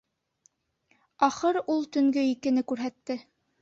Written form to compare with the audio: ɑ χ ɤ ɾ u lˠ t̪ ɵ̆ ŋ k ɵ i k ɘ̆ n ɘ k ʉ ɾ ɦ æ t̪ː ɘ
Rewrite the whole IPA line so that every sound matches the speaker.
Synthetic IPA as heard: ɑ χ ɤ ɾ u lˠ t̪ ɵ̆ ŋ ɡ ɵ i k ɘ̆ n ɘ k ʉ ɾ ɦ æ t̪ː ɘ